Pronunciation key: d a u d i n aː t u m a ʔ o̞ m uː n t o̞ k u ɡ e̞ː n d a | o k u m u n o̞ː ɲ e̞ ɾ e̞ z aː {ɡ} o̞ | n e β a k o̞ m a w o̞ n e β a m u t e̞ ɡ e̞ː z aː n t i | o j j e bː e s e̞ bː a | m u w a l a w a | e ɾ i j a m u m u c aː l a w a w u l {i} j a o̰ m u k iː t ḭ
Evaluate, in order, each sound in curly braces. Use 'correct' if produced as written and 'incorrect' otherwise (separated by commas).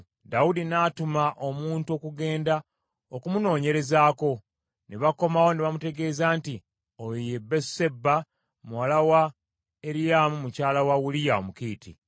incorrect, correct